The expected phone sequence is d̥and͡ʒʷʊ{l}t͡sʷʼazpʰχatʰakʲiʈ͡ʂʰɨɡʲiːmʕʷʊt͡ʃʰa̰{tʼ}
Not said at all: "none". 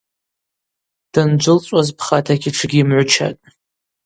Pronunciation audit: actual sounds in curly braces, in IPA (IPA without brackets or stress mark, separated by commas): l, tʼ